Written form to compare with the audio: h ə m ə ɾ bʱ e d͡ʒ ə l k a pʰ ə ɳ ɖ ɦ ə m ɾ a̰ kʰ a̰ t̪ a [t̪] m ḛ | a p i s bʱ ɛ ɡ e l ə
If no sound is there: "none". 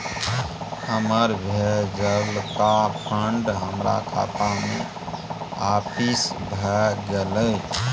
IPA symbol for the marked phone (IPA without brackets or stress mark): none